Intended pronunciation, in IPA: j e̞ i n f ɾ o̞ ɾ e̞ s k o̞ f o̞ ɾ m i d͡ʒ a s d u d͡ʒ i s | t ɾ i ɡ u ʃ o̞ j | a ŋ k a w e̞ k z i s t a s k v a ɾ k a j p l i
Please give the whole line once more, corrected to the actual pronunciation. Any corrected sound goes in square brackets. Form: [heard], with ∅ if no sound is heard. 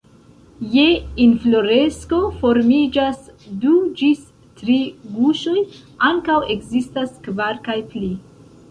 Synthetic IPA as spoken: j e̞ i n f [l] o̞ ɾ e̞ s k o̞ f o̞ ɾ m i d͡ʒ a s d u d͡ʒ i s | t ɾ i ɡ u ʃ o̞ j | a ŋ k a w e̞ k z i s t a s k v a ɾ k a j p l i